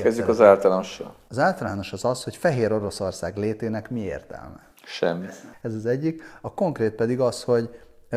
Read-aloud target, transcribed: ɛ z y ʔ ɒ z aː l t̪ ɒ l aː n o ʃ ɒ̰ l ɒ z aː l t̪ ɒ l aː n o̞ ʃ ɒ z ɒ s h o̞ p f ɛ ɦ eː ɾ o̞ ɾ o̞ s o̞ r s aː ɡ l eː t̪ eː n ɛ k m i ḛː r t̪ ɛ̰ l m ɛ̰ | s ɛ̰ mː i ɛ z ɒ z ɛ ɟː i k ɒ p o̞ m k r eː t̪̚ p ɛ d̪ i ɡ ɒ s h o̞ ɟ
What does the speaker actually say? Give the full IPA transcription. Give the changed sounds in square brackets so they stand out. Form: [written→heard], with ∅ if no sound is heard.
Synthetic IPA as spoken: ɛ z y [ʔ→k] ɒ z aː l t̪ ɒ l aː n o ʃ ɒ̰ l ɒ z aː l t̪ ɒ l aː n o̞ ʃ ɒ z ɒ s h o̞ [p→c] f ɛ ɦ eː ɾ o̞ ɾ o̞ s o̞ r s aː ɡ l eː t̪ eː n ɛ k m i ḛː r t̪ ɛ̰ l m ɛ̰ | [s→ʃ] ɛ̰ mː i ɛ z ɒ z ɛ ɟː i k ɒ [p→k] o̞ [m→ŋ] k r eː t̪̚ p ɛ d̪ i ɡ ɒ s h o̞ ɟ